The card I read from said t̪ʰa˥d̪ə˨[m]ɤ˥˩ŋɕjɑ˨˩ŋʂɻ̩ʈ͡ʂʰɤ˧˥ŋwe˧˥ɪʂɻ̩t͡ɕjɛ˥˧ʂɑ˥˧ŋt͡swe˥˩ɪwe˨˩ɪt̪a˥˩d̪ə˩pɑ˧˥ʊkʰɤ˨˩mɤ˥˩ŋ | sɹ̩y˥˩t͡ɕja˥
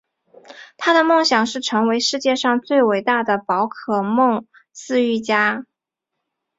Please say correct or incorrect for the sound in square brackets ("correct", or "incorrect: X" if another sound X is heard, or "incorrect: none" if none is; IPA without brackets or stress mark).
correct